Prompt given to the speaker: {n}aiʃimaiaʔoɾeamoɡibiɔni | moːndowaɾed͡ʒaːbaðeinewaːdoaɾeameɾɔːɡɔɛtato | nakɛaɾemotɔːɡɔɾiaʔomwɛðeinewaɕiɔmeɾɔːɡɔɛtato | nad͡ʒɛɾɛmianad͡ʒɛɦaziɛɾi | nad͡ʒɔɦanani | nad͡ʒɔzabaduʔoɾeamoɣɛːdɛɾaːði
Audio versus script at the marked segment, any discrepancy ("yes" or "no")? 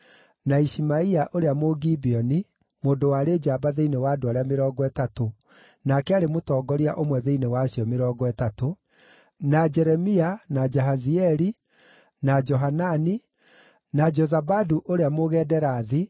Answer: no